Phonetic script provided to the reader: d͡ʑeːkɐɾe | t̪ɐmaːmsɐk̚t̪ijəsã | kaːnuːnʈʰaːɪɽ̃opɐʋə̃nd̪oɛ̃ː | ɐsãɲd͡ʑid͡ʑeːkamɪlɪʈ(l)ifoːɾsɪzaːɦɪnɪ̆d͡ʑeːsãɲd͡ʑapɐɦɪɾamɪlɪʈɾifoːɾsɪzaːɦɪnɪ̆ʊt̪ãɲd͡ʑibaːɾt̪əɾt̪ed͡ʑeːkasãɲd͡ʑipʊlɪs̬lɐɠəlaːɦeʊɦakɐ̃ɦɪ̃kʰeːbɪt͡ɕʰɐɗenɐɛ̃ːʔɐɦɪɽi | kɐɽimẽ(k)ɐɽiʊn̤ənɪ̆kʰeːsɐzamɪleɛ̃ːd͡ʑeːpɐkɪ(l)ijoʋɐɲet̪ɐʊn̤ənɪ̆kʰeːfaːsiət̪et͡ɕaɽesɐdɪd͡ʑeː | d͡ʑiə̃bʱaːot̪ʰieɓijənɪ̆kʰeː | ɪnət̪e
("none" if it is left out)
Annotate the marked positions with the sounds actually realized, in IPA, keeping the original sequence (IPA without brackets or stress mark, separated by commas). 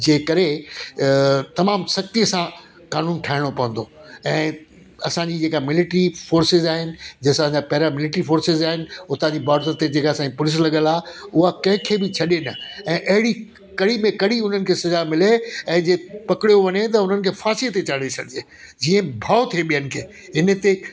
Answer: ɾ, k, ɽ